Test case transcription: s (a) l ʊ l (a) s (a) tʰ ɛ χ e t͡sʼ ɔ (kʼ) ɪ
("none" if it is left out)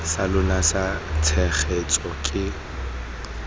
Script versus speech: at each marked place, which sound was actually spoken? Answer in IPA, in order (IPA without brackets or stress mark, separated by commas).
a, a, a, kʼ